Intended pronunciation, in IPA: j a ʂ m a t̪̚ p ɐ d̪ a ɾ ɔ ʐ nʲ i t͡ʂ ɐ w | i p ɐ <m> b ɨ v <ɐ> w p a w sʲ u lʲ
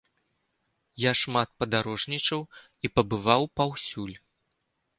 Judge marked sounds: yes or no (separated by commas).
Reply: no, no